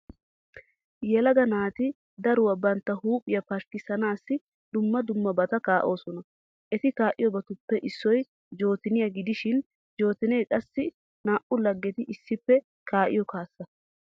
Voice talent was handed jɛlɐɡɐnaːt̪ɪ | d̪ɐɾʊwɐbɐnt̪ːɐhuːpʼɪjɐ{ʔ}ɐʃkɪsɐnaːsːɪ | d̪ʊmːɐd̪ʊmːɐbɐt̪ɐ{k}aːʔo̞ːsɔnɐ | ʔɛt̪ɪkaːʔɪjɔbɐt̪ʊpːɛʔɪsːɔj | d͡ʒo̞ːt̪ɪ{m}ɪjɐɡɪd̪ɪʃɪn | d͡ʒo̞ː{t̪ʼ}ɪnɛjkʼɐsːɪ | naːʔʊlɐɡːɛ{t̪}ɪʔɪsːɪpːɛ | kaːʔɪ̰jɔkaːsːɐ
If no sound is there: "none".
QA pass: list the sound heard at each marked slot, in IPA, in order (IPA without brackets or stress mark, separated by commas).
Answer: p, k, n, t̪, t̪